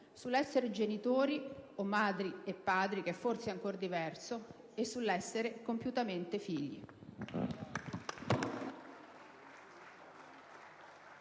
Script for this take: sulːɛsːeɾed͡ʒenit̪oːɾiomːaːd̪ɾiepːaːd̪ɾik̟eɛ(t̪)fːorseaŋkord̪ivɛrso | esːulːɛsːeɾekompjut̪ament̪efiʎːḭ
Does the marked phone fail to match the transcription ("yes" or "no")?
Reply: yes